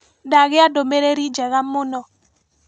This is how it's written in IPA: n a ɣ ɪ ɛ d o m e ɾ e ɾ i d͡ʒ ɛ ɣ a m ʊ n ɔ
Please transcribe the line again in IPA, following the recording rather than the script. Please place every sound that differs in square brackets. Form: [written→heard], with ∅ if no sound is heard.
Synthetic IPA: [n→d] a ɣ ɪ [ɛ→a] d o m e ɾ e ɾ i d͡ʒ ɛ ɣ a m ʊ n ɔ

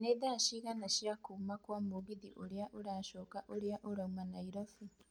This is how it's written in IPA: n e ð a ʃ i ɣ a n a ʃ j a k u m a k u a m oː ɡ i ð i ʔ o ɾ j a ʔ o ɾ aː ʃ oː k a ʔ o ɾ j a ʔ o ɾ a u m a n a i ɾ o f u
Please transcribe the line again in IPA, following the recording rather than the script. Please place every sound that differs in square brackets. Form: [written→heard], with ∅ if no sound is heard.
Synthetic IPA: n e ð a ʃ i ɣ a n a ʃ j a k u m a k [u→w] a m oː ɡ i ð i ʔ o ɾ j a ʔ o ɾ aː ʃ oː k a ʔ o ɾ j a ʔ o ɾ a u m a n a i ɾ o f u

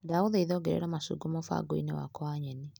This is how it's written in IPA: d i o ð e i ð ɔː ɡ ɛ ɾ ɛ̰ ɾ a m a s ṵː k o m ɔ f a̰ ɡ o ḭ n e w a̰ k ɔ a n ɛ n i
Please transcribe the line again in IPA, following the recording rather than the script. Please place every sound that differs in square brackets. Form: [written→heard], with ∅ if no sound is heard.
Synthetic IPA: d [i→a] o ð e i ð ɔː ɡ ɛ ɾ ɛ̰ ɾ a m a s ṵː [k→ɡ] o m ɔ f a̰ ɡ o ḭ n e w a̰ k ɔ a [n→ɲ] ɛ n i

